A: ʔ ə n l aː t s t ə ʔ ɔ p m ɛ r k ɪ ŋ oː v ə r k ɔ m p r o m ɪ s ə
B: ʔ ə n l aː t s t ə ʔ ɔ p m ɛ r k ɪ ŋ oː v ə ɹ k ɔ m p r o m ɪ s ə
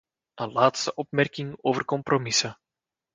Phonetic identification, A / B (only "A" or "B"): A